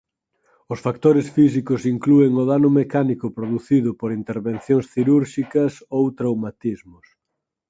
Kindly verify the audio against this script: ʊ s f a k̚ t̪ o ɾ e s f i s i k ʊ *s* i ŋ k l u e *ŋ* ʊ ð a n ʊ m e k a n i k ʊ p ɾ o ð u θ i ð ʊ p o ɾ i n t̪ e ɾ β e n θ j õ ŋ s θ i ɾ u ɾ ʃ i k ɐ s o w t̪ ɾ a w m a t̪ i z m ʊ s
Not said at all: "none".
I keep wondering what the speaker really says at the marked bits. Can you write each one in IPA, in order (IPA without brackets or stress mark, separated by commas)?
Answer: s, ŋ